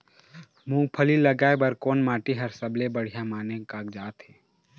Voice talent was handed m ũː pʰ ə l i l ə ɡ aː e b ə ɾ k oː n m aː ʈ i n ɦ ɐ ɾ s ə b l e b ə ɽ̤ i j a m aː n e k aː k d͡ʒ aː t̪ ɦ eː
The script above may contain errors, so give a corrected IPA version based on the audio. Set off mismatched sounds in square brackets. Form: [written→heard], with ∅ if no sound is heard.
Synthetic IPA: m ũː pʰ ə l i l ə ɡ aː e b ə ɾ k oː n m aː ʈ i [n→∅] ɦ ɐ ɾ s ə b l e b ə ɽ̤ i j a m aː n e k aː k d͡ʒ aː t̪ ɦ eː